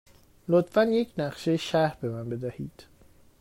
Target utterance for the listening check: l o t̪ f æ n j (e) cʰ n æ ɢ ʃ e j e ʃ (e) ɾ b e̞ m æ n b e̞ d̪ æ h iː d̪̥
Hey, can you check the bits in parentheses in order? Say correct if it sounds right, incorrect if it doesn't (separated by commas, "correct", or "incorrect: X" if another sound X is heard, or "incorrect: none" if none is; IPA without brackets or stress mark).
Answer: correct, incorrect: æ